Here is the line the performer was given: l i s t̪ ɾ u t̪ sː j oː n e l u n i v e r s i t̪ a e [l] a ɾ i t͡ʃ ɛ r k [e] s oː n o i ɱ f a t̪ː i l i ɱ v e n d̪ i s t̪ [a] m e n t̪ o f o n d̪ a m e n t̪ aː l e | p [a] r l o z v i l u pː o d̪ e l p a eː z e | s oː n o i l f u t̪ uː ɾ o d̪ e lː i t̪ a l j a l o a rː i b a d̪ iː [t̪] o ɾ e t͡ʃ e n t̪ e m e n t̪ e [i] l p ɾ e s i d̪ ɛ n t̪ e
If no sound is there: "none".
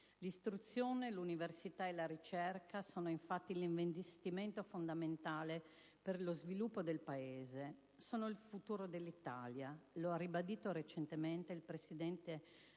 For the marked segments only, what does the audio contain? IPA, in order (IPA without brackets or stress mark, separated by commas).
l, a, i, e, t̪, i